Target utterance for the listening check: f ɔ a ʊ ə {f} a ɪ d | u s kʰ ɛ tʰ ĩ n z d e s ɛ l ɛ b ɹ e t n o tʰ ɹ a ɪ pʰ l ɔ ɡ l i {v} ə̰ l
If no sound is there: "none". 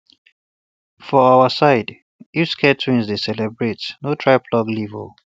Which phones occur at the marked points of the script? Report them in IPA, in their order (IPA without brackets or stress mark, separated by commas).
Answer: s, v